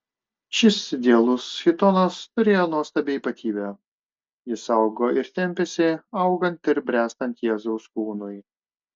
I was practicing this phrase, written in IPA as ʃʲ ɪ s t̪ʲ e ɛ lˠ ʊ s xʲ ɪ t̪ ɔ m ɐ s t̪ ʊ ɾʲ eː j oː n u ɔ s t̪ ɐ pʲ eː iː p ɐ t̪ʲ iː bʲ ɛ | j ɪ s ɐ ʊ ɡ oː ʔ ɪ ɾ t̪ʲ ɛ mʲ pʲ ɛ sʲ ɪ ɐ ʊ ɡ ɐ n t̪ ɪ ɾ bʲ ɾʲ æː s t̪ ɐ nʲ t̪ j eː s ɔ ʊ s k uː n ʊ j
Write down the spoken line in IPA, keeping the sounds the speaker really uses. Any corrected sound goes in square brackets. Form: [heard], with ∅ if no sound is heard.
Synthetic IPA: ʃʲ ɪ s [d̪ʲ] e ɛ lˠ ʊ s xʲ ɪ t̪ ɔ [n] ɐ s t̪ ʊ ɾʲ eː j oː n u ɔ s t̪ ɐ [bʲ] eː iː p ɐ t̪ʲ iː bʲ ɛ | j ɪ s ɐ ʊ ɡ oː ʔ ɪ ɾ t̪ʲ ɛ mʲ pʲ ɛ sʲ ɪ ɐ ʊ ɡ ɐ n t̪ ɪ ɾ bʲ ɾʲ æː s t̪ ɐ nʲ t̪ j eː [z] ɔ ʊ s k uː n ʊ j

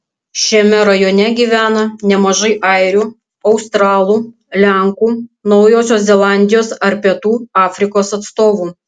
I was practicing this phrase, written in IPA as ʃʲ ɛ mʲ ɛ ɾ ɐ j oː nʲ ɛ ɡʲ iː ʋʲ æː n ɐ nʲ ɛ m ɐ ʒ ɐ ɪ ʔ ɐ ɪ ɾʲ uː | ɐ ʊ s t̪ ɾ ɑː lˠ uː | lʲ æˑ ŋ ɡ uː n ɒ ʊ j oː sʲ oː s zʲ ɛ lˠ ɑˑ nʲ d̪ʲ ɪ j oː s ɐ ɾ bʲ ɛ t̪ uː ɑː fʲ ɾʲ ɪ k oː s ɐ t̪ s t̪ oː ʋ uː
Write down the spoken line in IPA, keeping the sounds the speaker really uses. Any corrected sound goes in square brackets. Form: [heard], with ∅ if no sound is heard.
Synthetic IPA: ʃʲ ɛ mʲ ɛ ɾ ɐ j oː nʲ ɛ ɡʲ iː ʋʲ æː n ɐ nʲ ɛ m ɐ ʒ ɐ ɪ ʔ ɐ ɪ ɾʲ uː | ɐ ʊ s t̪ ɾ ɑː lˠ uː | lʲ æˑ ŋ [k] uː n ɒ ʊ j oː sʲ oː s zʲ ɛ lˠ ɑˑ nʲ d̪ʲ ɪ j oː s ɐ ɾ [pʲ] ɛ t̪ uː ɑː fʲ ɾʲ ɪ k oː s ɐ t̪ s t̪ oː ʋ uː

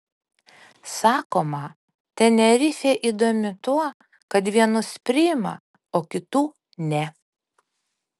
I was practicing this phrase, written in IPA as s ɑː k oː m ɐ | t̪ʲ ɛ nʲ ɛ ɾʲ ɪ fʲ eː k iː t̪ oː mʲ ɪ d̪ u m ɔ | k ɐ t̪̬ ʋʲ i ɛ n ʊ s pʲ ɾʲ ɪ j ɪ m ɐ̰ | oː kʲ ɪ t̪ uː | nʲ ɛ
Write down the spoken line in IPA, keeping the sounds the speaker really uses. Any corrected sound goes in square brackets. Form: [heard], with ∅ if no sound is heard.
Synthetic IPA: s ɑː k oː m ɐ | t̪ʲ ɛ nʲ ɛ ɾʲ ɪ fʲ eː [ʔ] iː [d̪] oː mʲ ɪ [t̪] u [∅] ɔ | k ɐ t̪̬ ʋʲ i ɛ n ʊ s pʲ ɾʲ ɪ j ɪ m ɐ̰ | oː kʲ ɪ t̪ uː | nʲ ɛ

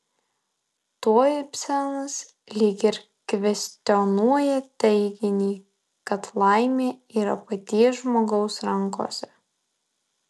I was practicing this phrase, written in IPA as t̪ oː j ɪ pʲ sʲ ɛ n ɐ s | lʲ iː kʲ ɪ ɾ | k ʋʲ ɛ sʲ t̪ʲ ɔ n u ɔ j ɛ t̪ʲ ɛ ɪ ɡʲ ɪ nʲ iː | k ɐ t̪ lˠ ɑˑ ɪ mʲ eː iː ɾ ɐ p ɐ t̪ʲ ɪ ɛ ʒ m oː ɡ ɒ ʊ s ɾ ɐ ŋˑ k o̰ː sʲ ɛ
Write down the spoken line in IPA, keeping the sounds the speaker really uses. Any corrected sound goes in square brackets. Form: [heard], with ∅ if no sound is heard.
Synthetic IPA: t̪ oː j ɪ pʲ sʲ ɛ n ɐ s | lʲ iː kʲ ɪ ɾ | k ʋʲ ɛ sʲ t̪ʲ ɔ n u ɔ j ɛ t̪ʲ ɛ ɪ ɡʲ ɪ nʲ iː | k ɐ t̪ lˠ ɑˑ ɪ mʲ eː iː ɾ ɐ p ɐ t̪ʲ [i] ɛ ʒ m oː ɡ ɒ ʊ s ɾ ɐ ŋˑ k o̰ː sʲ ɛ

